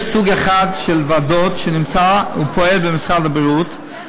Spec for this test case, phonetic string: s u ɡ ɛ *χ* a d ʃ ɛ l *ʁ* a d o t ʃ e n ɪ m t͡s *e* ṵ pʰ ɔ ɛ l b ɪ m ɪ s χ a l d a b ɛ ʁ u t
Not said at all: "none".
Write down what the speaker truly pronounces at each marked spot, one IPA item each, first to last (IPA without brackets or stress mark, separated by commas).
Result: χ, v, a